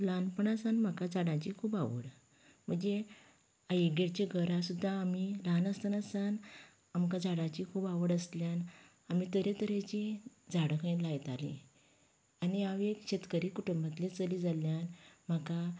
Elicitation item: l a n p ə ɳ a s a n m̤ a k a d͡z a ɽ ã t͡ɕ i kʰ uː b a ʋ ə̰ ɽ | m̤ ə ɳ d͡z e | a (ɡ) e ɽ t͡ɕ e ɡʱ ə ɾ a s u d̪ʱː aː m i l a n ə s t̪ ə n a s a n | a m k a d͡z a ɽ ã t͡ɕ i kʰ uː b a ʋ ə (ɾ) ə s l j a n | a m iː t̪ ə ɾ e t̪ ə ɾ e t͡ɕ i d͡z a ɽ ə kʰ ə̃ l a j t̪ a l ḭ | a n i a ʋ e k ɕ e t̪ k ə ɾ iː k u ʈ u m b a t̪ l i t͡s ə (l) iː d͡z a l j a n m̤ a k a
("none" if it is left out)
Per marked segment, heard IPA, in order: ɡ, ɽ, l

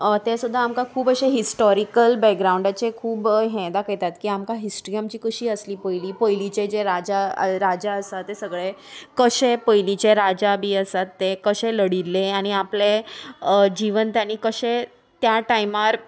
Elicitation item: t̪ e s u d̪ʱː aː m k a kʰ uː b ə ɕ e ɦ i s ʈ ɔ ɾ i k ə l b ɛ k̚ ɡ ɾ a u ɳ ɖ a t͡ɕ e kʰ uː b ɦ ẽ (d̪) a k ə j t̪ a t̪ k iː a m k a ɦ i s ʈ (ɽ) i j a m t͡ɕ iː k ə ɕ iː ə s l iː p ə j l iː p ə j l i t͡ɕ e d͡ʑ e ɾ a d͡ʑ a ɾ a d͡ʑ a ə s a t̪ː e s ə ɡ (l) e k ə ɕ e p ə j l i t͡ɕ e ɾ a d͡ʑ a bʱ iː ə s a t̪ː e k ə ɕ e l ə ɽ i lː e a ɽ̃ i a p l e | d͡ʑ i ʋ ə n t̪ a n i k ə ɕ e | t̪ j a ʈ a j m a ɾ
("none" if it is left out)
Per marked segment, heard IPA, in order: d̪, ɾ, ɭ

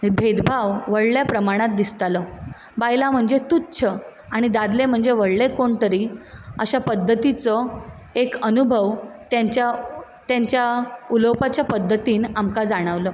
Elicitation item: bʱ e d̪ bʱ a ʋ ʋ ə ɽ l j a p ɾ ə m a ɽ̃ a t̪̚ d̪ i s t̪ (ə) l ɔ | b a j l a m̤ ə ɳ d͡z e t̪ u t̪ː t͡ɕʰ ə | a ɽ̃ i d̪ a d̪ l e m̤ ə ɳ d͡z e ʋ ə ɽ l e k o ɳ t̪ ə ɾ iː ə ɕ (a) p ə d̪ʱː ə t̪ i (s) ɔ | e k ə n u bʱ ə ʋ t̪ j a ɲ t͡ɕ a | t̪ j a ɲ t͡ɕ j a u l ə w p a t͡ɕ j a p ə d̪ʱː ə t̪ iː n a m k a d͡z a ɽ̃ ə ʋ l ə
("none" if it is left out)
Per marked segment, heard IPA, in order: a, a, t͡s

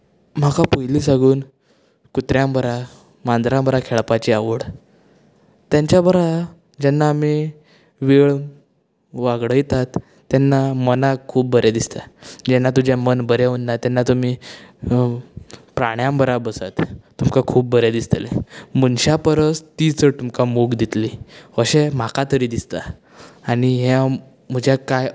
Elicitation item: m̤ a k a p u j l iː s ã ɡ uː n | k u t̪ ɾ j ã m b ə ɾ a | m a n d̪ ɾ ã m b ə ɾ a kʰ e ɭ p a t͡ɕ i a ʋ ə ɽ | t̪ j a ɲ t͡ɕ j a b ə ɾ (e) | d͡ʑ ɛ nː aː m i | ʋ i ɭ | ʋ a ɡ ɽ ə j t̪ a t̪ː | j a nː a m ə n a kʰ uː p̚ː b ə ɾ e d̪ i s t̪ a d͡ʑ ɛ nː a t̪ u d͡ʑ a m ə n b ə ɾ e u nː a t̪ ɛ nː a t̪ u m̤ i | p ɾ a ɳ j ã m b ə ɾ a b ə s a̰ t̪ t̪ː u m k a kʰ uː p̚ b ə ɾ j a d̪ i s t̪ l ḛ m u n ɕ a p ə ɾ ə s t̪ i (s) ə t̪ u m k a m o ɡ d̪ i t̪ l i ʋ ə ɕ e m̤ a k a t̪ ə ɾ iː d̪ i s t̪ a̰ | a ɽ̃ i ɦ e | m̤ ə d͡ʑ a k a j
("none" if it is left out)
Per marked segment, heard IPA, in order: a, t͡s

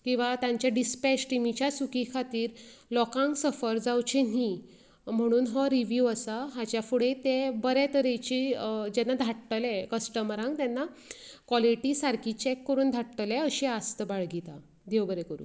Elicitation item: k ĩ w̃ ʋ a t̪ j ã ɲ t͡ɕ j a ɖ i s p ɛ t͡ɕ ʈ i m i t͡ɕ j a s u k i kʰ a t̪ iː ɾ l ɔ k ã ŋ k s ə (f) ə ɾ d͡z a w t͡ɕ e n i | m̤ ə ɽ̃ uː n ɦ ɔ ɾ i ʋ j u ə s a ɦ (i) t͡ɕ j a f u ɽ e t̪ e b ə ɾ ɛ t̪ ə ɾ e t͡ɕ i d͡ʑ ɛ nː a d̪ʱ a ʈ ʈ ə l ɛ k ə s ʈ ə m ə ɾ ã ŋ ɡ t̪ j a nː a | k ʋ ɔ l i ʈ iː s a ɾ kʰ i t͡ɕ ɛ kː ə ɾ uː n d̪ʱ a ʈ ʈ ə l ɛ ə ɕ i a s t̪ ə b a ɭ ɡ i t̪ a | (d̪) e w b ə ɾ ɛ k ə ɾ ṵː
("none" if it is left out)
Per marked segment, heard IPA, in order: f, a, d̪

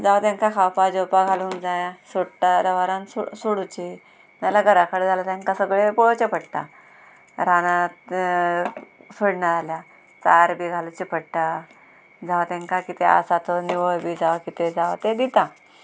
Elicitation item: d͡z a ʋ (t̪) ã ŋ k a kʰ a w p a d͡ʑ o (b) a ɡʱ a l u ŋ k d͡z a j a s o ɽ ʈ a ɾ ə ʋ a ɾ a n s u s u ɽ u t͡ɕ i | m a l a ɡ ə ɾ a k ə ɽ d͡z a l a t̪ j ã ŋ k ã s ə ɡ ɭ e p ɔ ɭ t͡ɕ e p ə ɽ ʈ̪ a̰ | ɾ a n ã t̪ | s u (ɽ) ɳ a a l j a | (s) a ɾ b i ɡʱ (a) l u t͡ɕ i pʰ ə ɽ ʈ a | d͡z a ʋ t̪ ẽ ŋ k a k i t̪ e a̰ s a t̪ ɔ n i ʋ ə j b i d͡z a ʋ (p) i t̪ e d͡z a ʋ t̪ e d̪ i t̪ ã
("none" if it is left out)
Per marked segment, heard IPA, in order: t̪, p, ɽ, t͡s, a, k

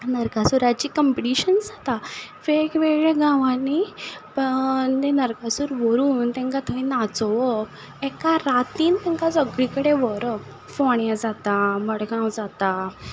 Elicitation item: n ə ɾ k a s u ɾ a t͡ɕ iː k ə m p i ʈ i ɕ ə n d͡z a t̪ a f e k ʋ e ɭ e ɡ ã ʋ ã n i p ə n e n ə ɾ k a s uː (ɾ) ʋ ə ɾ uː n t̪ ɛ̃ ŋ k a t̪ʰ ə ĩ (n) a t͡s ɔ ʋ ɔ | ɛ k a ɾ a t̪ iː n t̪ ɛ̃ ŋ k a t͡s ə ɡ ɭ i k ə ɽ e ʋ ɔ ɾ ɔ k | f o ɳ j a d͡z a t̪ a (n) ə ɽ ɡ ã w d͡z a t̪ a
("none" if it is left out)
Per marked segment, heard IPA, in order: ɾ, n, m

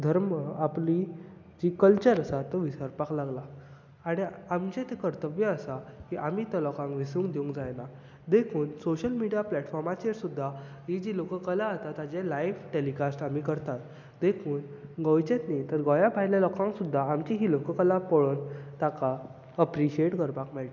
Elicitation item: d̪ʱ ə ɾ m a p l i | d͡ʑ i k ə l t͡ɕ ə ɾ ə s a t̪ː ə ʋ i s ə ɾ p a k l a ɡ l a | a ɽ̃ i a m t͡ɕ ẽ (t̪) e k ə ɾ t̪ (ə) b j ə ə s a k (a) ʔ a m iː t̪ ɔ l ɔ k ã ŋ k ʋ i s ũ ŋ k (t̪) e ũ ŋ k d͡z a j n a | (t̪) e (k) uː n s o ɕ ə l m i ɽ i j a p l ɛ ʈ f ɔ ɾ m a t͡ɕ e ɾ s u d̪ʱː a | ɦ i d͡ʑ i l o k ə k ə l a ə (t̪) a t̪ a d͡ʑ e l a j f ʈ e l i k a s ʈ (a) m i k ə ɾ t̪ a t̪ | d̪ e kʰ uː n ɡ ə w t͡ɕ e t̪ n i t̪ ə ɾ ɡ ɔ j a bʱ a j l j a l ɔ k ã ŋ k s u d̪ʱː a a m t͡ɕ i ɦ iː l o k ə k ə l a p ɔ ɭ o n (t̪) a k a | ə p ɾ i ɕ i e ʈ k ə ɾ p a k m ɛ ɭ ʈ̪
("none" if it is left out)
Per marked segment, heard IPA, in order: t̪, ə, i, d̪, d̪, kʰ, t̪, a, t̪

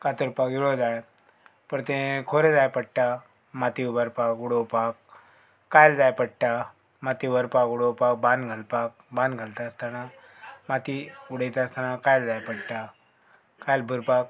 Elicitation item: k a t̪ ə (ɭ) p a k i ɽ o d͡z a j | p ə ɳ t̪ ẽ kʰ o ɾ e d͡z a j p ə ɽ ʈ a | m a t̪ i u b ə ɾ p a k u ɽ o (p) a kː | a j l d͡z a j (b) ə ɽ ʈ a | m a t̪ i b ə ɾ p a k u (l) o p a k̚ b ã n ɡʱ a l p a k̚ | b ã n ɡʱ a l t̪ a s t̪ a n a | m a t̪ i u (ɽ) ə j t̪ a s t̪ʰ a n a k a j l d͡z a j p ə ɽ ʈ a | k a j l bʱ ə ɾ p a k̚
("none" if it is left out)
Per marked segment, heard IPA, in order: ɾ, p, p, ɽ, ɽ

